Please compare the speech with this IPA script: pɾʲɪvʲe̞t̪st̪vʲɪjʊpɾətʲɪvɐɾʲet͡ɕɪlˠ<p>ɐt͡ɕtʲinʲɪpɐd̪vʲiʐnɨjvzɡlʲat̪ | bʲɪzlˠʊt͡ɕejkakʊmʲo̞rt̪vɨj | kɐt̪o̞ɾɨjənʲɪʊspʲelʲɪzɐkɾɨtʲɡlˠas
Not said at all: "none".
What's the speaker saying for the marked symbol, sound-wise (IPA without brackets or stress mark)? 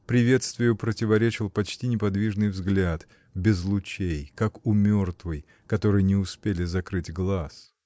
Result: p